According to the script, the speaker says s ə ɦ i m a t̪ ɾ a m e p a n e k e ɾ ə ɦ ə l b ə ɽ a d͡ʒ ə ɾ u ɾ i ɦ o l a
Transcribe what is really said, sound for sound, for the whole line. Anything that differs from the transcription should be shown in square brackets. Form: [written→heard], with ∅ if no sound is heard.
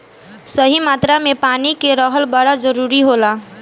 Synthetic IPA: s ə ɦ i m a t̪ ɾ a m e p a n [e→i] k e ɾ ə ɦ ə l b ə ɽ a d͡ʒ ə ɾ u ɾ i ɦ o l a